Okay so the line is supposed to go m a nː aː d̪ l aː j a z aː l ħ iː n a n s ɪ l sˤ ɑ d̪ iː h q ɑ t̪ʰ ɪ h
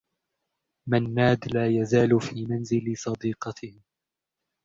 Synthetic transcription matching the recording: m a nː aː d̪ l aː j a z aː l f iː m a n z ɪ l sˤ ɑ d̪ iː q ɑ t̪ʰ ɪ h